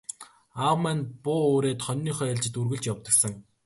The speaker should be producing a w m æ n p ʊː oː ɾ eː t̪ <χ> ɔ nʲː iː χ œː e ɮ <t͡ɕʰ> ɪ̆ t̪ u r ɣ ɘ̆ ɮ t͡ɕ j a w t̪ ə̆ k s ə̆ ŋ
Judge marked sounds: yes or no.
yes, no

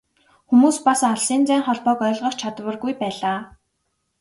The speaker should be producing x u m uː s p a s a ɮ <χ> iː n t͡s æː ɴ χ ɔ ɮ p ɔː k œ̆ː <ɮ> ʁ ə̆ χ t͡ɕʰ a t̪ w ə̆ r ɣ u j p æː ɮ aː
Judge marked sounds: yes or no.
no, yes

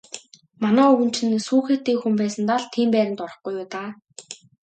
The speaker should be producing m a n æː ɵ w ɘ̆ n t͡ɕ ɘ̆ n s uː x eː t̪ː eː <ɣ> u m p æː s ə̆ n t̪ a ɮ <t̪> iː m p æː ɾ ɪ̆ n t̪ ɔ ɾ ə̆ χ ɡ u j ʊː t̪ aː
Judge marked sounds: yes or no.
no, no

